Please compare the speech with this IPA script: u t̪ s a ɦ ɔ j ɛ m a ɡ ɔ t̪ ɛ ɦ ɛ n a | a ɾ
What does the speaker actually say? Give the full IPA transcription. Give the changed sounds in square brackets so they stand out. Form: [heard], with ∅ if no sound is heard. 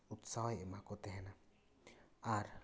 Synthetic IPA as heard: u t̪ s a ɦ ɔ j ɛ m a [k] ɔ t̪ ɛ ɦ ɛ n a | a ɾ

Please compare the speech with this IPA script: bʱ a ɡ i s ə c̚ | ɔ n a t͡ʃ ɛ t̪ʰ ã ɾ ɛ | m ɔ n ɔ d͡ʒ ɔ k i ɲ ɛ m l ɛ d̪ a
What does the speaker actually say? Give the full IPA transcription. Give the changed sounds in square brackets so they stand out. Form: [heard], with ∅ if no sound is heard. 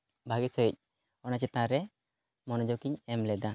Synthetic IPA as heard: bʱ a ɡ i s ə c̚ | ɔ n a t͡ʃ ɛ [t̪] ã ɾ ɛ | m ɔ n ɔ d͡ʒ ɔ k i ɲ ɛ m l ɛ d̪ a

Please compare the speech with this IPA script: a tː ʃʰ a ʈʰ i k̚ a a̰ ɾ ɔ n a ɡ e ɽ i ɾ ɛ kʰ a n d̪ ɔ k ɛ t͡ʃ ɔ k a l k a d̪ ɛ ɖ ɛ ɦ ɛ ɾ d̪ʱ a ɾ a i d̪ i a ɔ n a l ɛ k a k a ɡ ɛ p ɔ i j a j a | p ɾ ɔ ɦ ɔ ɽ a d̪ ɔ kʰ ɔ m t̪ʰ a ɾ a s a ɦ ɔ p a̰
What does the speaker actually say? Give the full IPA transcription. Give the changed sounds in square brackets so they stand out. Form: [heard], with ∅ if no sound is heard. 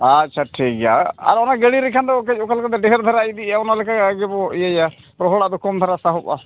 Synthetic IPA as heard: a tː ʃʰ a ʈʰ i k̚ a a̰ ɾ ɔ n a ɡ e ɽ i ɾ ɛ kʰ a n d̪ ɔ k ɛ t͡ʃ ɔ k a l k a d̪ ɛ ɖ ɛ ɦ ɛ ɾ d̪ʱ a ɾ a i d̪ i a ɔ n a l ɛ k a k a ɡ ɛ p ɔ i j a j a | p ɾ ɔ ɦ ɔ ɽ a d̪ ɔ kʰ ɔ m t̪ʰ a ɾ a s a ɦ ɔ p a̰

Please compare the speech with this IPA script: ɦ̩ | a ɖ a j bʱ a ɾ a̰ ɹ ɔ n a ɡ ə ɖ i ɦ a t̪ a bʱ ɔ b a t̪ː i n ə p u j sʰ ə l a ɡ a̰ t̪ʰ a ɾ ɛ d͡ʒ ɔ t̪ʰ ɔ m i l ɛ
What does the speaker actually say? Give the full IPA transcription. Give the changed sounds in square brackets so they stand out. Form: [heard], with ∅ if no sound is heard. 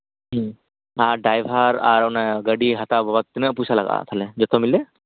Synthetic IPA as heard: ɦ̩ | a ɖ a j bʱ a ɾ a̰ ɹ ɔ n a ɡ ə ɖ i ɦ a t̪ a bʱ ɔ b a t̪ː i n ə p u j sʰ [a] l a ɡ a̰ t̪ʰ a [l] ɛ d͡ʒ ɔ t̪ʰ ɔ m i l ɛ

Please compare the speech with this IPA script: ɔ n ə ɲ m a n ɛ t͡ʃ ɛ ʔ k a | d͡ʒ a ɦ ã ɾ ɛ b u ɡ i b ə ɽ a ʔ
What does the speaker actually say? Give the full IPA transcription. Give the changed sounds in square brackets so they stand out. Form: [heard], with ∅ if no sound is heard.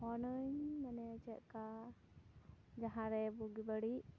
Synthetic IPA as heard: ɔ n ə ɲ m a n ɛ t͡ʃ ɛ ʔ k a | d͡ʒ a ɦ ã ɾ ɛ b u ɡ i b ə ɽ [i] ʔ

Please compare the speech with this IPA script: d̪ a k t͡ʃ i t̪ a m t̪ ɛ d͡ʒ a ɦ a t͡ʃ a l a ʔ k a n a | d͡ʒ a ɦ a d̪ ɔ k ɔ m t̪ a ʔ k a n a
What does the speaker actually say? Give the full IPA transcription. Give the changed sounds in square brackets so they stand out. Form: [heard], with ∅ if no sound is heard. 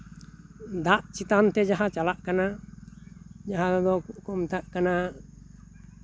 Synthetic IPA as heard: d̪ a [ʔ] t͡ʃ i t̪ a [n] t̪ ɛ d͡ʒ a ɦ a t͡ʃ a l a ʔ k a n a | d͡ʒ a ɦ a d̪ ɔ k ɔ m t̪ a ʔ k a n a

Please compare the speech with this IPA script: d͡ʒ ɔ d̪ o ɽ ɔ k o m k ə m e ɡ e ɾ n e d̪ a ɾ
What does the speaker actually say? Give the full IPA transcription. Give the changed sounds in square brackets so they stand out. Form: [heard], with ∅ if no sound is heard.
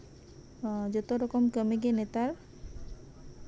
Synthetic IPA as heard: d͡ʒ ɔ [t̪] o [ɾ] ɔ k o m k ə m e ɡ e [∅] n e [t̪] a ɾ

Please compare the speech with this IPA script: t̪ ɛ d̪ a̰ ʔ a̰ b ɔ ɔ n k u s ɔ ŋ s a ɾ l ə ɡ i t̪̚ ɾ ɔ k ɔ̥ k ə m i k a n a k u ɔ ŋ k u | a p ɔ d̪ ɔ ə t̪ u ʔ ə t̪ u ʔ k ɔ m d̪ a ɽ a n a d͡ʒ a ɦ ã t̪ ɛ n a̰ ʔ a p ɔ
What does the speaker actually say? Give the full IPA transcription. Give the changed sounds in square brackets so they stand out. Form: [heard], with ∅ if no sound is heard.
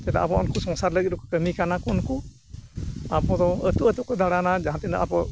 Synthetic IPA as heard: t̪ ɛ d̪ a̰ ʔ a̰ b ɔ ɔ n k u s ɔ ŋ s a ɾ l ə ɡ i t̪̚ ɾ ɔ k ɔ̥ k ə m i k a n a k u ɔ [n] k u | a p ɔ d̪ ɔ ə t̪ u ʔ ə t̪ u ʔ k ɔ [∅] d̪ a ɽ a n a d͡ʒ a ɦ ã t̪ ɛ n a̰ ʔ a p ɔ

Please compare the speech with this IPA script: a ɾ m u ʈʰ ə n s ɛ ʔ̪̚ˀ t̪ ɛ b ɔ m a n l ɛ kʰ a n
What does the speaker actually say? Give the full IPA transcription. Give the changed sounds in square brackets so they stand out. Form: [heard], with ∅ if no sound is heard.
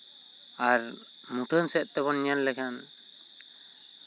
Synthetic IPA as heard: a ɾ m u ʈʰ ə n s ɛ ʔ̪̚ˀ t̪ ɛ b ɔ [n] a n l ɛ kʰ a n

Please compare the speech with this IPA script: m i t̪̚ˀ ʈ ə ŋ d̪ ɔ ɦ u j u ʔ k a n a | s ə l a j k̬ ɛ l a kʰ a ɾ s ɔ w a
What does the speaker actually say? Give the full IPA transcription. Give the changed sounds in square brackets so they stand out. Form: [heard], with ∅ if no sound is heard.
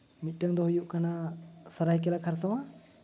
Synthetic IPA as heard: m i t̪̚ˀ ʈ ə ŋ d̪ ɔ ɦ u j u ʔ k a n a | s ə [ɾ] a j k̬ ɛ l a kʰ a ɾ s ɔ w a

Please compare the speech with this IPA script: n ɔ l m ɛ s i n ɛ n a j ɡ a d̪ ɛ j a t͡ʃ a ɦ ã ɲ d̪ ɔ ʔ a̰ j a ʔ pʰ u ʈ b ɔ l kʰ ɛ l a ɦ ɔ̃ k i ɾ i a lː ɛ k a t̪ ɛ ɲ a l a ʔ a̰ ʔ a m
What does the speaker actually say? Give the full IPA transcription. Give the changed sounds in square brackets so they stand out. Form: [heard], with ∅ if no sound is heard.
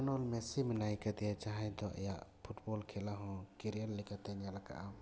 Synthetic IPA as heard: n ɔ l m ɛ s i [m] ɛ n a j [k] a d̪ ɛ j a t͡ʃ a ɦ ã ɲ d̪ ɔ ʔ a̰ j a ʔ pʰ u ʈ b ɔ l kʰ ɛ l a ɦ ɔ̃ k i ɾ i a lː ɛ k a t̪ ɛ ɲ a l a [k] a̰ ʔ a m

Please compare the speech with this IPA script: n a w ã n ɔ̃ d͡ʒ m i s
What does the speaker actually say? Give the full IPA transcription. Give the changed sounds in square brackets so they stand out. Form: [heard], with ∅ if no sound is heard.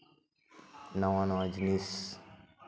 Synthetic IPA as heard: n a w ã n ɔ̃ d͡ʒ [n] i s

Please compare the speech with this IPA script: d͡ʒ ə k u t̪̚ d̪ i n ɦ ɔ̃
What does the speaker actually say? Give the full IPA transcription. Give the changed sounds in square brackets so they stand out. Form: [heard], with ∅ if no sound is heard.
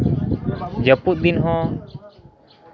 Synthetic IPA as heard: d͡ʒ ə [p] u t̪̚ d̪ i n ɦ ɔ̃

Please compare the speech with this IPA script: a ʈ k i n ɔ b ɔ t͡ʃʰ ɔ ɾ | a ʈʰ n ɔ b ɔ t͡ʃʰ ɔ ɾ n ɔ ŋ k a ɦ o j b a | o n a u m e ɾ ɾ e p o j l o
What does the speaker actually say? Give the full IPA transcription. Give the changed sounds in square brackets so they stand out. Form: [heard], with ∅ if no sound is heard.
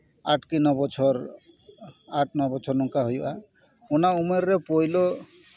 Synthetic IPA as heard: a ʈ k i n ɔ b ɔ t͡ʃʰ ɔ ɾ | a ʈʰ n ɔ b ɔ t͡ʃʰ ɔ ɾ n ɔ ŋ k a ɦ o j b a | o n a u m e ɾ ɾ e p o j l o

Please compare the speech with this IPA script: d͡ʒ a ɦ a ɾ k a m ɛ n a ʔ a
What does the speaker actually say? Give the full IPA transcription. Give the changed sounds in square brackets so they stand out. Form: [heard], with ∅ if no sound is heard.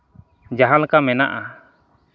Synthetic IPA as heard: d͡ʒ a ɦ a [l] k a m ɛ n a ʔ a

